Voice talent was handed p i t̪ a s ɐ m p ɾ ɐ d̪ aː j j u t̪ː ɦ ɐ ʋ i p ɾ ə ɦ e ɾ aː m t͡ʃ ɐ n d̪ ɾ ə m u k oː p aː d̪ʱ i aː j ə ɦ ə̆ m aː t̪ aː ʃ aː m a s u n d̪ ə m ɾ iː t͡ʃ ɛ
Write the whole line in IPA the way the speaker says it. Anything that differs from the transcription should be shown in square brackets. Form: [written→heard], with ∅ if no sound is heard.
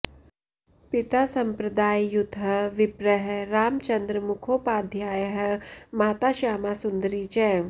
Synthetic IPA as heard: p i t̪ a s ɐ m p ɾ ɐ d̪ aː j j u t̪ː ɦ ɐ ʋ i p ɾ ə ɦ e ɾ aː m t͡ʃ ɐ n d̪ ɾ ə m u [k→kʰ] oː p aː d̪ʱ [i→j] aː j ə ɦ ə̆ m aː t̪ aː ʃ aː m a s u n d̪ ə [m→∅] ɾ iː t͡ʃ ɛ